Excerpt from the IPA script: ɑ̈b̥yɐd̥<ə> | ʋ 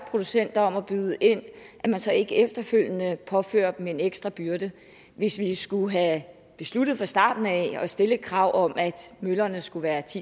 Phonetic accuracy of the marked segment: correct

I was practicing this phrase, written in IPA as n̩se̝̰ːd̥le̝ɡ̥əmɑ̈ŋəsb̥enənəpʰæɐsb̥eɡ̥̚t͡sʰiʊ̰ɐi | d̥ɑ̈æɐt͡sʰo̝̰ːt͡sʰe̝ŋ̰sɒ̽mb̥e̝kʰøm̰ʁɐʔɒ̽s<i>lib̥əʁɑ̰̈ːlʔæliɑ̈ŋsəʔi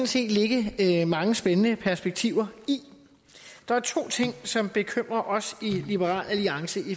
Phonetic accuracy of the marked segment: correct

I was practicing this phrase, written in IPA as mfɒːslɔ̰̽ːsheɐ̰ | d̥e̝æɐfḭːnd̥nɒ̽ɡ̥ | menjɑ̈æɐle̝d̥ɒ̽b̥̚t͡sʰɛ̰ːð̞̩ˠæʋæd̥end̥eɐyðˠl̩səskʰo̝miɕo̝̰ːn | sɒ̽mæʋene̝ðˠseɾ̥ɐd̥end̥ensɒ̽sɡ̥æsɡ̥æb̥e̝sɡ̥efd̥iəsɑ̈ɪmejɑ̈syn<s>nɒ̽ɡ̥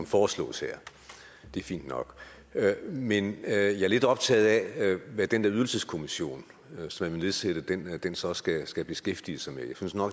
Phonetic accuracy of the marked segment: correct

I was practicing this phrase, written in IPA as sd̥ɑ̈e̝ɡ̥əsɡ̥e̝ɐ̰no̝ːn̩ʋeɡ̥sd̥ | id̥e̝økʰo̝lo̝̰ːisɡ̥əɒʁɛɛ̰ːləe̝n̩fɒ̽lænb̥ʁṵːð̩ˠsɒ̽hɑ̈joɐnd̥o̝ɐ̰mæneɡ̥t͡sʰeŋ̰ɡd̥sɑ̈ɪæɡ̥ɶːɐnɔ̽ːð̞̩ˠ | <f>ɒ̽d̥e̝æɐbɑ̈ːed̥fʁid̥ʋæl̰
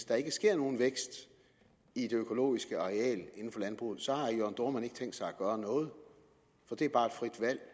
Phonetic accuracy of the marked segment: correct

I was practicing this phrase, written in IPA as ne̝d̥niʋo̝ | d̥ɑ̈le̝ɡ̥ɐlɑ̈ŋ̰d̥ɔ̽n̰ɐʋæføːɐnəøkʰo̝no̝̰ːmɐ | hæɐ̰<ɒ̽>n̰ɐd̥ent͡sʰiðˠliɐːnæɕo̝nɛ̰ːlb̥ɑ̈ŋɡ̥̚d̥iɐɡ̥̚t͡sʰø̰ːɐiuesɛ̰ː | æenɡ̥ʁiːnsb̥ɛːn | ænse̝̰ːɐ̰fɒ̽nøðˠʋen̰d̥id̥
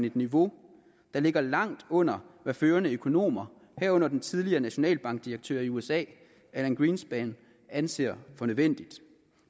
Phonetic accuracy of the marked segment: incorrect: ɔ̽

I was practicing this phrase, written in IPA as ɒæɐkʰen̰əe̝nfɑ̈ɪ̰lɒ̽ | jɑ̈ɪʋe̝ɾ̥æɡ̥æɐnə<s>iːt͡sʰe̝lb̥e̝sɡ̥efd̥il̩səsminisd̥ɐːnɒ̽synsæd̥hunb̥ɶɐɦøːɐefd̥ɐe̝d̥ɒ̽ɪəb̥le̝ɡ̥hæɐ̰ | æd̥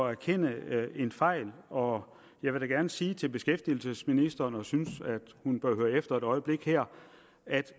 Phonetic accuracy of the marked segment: correct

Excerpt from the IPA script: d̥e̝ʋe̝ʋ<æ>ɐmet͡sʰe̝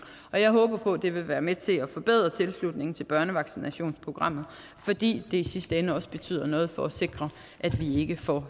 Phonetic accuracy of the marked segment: incorrect: æː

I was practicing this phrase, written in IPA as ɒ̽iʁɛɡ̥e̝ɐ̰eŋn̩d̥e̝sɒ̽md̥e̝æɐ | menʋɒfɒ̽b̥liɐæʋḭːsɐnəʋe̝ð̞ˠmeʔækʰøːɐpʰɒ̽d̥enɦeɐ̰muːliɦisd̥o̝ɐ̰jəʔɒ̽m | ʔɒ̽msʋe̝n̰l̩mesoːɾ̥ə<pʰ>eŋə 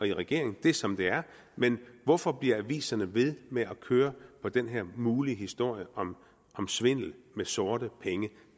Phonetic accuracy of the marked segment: correct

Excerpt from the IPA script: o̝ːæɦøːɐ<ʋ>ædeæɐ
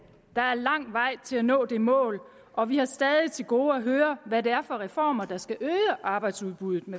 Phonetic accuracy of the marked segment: correct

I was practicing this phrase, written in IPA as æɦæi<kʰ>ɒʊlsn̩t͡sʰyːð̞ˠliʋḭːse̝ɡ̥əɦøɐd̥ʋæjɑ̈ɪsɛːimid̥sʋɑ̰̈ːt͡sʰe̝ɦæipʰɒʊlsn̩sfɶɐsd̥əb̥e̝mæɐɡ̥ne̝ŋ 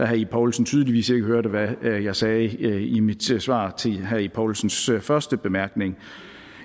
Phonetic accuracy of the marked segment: incorrect: pʰ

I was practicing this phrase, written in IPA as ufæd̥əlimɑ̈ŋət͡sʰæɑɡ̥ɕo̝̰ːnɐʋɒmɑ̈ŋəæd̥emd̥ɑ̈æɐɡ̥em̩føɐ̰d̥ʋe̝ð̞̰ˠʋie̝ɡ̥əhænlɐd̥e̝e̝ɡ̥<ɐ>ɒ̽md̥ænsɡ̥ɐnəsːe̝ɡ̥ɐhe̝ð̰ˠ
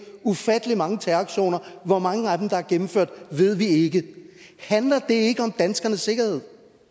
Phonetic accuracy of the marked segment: incorrect: ə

